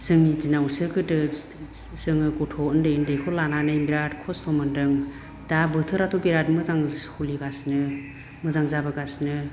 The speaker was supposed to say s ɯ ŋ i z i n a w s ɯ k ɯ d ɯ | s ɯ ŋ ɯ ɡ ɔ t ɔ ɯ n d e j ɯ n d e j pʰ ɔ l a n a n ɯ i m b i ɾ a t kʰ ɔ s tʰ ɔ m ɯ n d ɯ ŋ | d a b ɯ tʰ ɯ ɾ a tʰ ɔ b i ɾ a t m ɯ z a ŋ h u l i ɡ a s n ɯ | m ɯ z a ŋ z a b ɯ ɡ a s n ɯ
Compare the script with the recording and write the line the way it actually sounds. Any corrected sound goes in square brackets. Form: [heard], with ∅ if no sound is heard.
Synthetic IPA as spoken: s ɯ ŋ i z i n a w s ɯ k ɯ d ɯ | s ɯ ŋ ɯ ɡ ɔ [tʰ] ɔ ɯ n d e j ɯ n d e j [kʰ] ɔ l a n a n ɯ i m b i ɾ a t kʰ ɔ s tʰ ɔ m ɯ n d ɯ ŋ | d a b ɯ tʰ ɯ ɾ a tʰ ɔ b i ɾ a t m ɯ z a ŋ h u l i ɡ a s n ɯ | m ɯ z a ŋ z a b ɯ ɡ a s n ɯ